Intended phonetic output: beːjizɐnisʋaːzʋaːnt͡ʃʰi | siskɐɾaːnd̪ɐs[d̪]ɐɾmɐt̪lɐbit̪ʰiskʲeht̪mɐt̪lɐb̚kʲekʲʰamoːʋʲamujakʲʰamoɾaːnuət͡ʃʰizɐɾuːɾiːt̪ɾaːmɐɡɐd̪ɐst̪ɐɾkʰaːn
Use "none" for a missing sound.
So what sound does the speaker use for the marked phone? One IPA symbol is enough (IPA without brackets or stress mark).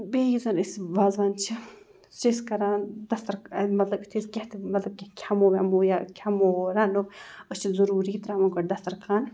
t̪